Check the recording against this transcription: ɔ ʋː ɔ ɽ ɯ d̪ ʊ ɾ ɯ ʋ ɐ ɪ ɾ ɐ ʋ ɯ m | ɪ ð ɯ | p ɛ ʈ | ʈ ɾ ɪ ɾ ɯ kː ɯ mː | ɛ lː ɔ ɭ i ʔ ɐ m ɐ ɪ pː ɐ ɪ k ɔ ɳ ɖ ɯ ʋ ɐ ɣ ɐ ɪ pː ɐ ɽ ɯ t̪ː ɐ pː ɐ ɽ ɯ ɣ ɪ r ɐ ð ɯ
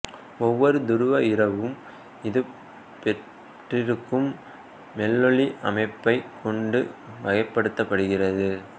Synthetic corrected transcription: ɔ ʋː ɔ ɾ ɯ d̪ ʊ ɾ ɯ ʋ ɐ ɪ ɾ ɐ ʋ ɯ m | ɪ ð ɯ | p ɛ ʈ | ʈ r ɪ ɾ ɯ kː ɯ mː | ɛ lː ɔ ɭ i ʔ ɐ m ɐ ɪ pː ɐ ɪ k ɔ ɳ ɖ ɯ ʋ ɐ ɣ ɐ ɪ pː ɐ ɽ ɯ t̪ː ɐ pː ɐ ɽ ɯ ɣ ɪ r ɐ ð ɯ